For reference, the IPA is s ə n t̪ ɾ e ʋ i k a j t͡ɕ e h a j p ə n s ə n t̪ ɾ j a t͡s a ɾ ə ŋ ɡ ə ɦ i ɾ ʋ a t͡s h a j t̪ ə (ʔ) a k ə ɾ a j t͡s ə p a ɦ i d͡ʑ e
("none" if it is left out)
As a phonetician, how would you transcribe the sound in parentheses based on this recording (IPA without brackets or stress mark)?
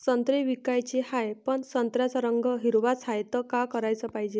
k